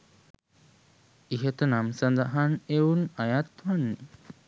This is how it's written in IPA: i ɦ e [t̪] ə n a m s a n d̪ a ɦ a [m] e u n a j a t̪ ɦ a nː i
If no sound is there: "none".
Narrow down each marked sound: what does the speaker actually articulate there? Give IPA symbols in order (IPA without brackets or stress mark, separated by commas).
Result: t̪, n